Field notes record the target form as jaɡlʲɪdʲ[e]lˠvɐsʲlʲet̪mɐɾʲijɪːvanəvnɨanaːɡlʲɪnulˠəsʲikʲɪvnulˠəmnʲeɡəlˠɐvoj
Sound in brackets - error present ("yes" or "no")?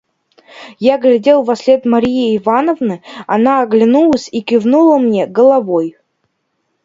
no